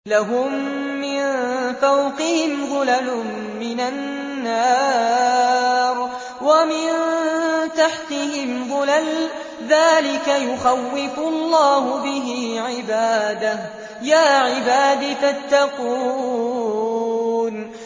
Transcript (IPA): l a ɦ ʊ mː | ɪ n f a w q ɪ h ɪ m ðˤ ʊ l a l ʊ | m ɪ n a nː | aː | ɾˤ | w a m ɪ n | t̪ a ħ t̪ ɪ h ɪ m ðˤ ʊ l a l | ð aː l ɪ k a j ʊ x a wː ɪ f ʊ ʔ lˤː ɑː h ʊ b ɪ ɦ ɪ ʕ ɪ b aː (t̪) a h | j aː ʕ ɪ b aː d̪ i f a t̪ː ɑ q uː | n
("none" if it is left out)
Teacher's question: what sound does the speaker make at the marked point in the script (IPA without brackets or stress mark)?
d̪